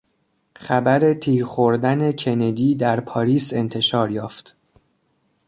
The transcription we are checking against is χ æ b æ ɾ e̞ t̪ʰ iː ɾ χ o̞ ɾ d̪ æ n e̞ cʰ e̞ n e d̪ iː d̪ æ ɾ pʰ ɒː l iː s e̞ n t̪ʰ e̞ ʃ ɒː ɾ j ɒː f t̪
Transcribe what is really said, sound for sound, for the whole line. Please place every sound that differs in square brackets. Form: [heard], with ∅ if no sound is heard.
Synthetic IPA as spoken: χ æ b æ ɾ e̞ t̪ʰ iː ɾ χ o̞ ɾ d̪ æ n e̞ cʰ e̞ n e d̪ iː d̪ æ ɾ pʰ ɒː [ɾ] iː s e̞ n t̪ʰ e̞ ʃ ɒː ɾ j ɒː f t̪